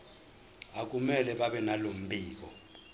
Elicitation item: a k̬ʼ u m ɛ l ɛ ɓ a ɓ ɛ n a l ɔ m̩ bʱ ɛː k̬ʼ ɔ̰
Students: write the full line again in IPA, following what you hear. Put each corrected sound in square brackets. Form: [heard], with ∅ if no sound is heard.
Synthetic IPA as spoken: a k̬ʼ u m ɛ l ɛ ɓ a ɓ ɛ n a l [o] m̩ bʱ [iː] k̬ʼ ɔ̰